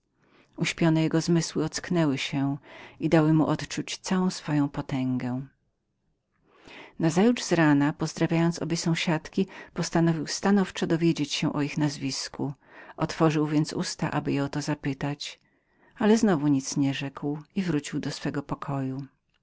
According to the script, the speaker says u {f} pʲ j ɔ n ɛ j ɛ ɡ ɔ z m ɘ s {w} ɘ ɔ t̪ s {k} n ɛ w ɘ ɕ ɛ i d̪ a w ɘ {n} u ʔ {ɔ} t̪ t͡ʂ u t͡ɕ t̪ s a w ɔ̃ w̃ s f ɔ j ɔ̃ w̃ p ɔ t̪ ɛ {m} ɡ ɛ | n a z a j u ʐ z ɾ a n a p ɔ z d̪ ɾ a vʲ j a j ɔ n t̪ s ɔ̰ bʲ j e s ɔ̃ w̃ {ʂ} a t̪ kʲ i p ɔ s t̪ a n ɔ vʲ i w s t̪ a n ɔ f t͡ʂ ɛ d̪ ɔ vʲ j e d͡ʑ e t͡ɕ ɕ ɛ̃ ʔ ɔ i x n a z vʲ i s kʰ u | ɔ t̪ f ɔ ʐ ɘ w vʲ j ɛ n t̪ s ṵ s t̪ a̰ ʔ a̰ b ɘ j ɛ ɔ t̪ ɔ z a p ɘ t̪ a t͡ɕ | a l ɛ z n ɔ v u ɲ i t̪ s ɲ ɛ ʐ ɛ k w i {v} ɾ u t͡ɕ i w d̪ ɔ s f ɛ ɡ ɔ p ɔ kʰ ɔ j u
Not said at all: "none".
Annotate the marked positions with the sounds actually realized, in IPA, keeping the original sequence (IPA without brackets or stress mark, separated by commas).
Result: ɕ, w, k, m, ɔ, ŋ, ɕ, v